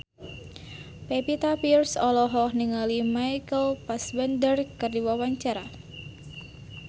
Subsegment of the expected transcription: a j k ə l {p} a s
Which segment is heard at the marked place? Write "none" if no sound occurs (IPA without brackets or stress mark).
p